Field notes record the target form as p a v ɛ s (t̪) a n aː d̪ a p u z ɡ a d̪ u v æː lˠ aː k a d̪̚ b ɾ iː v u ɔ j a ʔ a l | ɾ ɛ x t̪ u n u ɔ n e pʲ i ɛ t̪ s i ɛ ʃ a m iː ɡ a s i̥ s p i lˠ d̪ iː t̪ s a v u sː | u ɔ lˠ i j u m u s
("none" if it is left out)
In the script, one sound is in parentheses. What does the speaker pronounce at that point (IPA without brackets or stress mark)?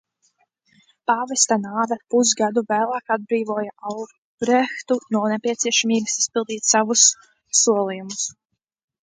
t̪